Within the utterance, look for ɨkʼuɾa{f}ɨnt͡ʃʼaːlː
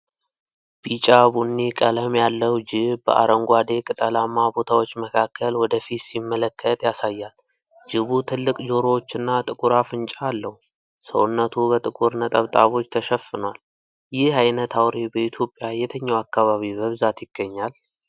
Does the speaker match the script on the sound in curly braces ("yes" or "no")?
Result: yes